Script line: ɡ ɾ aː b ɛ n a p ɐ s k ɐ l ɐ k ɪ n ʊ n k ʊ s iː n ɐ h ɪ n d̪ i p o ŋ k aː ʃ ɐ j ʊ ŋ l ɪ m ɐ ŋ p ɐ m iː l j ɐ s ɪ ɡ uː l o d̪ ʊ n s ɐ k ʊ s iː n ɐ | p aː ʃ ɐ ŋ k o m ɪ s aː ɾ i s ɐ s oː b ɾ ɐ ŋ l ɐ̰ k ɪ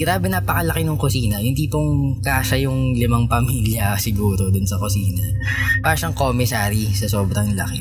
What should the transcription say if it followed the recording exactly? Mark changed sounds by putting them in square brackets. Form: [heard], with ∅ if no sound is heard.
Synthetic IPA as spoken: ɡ ɾ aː b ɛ n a p ɐ [∅] k ɐ l ɐ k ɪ n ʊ [ŋ] k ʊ s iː n ɐ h ɪ n d̪ i p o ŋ k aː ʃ ɐ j ʊ ŋ l ɪ m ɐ ŋ p ɐ m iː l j ɐ s ɪ ɡ uː [ɾ] o d̪ ʊ n s ɐ k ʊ s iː n ɐ | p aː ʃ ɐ ŋ k o m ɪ s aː ɾ i s ɐ s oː b ɾ ɐ ŋ l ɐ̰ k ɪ